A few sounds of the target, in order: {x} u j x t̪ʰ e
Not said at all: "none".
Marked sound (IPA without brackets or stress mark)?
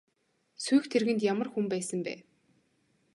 s